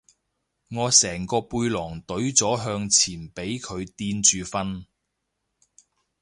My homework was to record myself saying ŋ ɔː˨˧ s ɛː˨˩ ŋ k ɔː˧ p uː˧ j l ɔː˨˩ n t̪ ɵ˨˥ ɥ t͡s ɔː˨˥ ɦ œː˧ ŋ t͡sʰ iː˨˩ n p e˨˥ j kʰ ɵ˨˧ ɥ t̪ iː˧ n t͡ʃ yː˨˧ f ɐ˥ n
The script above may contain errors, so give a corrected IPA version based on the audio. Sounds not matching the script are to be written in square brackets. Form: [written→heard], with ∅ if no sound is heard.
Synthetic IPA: ŋ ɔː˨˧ s ɛː˨˩ ŋ k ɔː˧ p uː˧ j l ɔː˨˩ [n→ŋ] t̪ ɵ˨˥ ɥ t͡s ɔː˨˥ ɦ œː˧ ŋ t͡sʰ iː˨˩ n p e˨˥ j kʰ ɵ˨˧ ɥ t̪ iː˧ n t͡ʃ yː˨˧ f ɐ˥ n